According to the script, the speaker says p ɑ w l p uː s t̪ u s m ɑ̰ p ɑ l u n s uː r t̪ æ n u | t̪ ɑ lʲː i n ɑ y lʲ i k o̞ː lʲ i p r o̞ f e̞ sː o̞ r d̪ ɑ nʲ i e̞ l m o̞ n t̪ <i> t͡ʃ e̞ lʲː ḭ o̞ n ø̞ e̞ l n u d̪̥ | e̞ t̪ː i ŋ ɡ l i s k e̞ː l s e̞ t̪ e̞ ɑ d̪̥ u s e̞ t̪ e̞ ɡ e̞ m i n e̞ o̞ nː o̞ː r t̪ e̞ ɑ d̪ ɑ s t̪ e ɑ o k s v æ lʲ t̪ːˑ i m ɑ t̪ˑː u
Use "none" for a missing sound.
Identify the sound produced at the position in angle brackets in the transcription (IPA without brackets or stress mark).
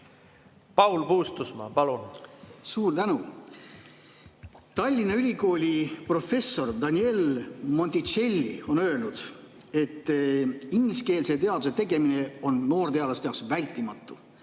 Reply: i